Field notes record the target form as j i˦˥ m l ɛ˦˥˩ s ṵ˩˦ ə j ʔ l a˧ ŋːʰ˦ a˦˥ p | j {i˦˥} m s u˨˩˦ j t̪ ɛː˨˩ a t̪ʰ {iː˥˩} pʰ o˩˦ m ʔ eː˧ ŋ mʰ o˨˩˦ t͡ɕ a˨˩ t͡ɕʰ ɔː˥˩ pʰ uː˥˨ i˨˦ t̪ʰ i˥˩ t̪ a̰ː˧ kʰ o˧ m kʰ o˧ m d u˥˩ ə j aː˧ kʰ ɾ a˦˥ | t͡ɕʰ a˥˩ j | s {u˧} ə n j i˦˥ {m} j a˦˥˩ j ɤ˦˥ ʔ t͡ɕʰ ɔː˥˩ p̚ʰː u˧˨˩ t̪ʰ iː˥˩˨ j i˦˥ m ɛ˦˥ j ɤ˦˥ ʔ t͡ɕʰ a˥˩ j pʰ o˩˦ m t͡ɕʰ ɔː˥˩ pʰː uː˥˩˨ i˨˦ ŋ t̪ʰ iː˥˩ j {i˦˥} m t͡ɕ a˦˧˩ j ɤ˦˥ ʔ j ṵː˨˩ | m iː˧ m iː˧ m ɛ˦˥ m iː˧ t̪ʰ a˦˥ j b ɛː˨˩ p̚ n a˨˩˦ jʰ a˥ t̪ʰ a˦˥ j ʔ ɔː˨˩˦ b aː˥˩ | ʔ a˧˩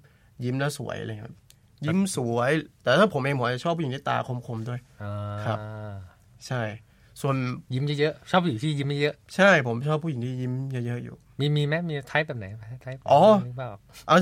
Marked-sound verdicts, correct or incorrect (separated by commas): correct, incorrect, correct, correct, correct